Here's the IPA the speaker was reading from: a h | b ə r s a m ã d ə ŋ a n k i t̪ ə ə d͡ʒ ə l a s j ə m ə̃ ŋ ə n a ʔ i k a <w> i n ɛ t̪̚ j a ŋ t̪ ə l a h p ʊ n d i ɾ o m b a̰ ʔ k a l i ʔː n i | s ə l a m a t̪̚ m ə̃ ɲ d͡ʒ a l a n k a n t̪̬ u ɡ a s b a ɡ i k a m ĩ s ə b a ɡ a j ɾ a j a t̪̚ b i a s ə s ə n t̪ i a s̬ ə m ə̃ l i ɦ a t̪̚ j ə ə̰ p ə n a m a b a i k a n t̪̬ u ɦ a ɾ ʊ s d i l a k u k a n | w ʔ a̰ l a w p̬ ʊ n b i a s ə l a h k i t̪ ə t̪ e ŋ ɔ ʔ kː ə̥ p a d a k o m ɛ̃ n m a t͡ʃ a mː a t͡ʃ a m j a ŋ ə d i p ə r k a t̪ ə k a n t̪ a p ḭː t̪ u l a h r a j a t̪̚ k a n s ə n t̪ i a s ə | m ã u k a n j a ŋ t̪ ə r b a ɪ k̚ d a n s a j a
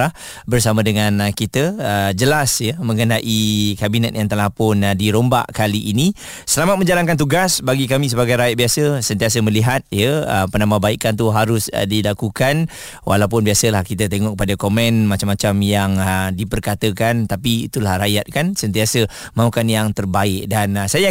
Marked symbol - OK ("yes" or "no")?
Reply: no